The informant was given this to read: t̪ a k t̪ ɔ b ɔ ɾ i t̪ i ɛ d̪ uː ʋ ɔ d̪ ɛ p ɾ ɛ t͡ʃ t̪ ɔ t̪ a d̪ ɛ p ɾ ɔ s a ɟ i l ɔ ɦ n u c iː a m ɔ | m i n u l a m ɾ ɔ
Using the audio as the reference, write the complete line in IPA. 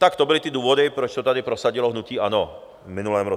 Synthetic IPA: t̪ a k t̪ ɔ b ɔ l i t̪ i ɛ d̪ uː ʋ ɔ d̪ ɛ p ɾ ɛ t͡ʃ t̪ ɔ t̪ a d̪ i p ɾ ɔ s a ɟ i l ɔ ɦ n u c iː a n ɔ | m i n u l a m ɾ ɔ